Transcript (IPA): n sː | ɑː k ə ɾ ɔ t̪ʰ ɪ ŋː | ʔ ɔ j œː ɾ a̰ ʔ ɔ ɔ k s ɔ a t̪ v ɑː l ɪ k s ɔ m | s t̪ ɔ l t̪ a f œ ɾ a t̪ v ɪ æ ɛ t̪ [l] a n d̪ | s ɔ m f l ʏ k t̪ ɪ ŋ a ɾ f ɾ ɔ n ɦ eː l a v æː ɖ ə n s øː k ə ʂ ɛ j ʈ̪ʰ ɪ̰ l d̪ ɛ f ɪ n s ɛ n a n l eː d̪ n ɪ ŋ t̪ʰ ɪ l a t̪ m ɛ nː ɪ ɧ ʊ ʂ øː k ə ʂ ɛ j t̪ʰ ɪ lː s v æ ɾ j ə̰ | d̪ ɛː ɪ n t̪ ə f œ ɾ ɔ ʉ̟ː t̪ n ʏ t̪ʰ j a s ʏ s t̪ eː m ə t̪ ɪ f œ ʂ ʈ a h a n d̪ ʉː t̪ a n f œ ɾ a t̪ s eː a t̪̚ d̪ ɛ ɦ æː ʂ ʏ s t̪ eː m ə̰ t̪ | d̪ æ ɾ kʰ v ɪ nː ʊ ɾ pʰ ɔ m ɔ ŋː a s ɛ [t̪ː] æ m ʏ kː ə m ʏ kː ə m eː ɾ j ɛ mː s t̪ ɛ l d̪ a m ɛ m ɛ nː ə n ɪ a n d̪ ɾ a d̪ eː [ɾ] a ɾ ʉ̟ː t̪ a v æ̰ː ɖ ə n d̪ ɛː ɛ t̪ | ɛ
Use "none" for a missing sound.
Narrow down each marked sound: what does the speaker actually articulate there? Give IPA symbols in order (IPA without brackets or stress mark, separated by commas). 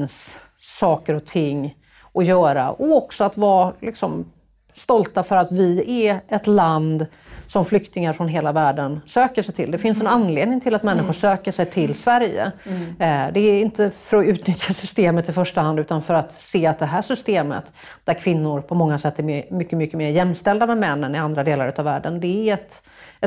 l, t̪ː, l